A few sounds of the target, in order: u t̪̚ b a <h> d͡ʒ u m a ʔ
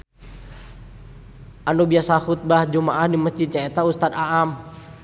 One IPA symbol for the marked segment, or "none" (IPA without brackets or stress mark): h